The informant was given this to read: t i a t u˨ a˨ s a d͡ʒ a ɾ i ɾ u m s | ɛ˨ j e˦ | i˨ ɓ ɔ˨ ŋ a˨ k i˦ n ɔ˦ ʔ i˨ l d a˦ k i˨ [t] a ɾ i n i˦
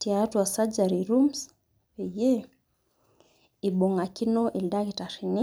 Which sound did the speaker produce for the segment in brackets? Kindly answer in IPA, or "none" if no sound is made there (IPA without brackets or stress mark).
t